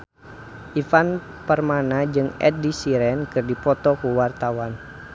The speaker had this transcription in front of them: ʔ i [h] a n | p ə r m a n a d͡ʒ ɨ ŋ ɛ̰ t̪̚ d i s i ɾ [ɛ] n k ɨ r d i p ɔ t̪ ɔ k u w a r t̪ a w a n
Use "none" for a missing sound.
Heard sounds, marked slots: f, ɛ

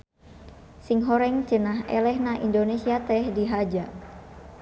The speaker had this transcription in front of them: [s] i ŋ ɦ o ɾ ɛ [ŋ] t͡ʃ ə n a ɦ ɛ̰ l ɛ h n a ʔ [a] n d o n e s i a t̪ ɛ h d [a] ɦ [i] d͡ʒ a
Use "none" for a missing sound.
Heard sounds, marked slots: s, ŋ, i, i, a

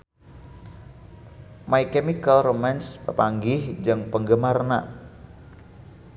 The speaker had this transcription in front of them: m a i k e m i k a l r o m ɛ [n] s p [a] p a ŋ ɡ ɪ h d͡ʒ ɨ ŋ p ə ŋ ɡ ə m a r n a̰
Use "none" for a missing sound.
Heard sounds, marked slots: n, ə

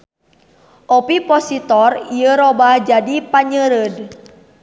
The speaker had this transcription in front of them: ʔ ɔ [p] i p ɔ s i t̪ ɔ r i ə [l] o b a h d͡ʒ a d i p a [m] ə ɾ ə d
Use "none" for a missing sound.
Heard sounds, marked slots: p, ɾ, ɲ

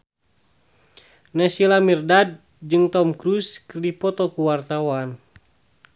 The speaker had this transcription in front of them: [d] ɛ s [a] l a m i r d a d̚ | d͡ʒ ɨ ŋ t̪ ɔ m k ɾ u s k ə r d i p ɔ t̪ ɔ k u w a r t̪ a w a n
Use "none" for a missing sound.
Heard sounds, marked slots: n, i

